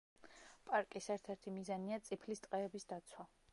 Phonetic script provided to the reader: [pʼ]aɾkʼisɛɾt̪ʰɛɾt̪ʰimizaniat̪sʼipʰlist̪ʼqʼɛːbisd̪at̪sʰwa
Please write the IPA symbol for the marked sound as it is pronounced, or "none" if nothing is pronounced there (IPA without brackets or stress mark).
pʼ